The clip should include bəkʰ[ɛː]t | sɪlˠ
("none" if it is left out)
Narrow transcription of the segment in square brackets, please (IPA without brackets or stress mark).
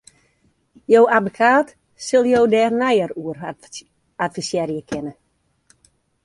aː